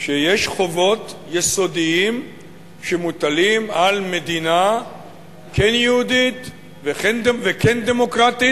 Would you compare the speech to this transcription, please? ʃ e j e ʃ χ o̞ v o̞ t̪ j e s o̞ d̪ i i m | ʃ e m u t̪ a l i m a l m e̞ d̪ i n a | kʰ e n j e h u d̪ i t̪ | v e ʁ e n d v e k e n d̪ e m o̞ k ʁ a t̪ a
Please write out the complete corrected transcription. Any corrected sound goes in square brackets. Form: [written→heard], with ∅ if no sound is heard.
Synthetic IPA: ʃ e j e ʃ χ o̞ v o̞ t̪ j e s o̞ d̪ i i m | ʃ e m u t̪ a l i m a l m e̞ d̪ i n a | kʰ e n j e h u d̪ i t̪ | v e [ʁ→χ] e n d v e k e n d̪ e m o̞ k ʁ a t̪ [a→i]